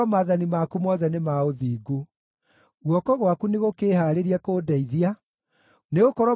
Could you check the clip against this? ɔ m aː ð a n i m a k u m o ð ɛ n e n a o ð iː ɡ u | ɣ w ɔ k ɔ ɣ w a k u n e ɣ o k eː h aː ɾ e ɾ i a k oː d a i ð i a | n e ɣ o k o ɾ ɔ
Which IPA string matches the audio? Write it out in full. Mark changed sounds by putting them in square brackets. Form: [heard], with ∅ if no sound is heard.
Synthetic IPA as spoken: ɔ m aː ð a n i m a k u m [ɔ] ð ɛ n e [m] a o ð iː ɡ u | ɣ w ɔ k ɔ ɣ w a k u n e ɣ o k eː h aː ɾ e ɾ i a k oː d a i ð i a | n e ɣ o k [ɔ] ɾ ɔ